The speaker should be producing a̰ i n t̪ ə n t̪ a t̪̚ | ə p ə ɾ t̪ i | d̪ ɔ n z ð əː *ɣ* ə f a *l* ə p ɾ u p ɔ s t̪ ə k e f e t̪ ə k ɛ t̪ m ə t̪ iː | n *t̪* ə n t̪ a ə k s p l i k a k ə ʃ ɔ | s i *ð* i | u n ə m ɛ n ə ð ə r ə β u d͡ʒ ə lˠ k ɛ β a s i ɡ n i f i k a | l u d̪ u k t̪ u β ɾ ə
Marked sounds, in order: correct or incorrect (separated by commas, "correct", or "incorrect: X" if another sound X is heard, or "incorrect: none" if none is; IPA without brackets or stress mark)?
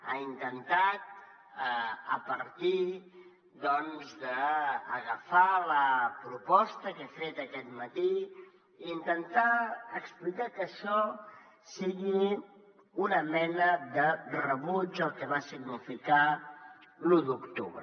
correct, correct, correct, incorrect: ɣ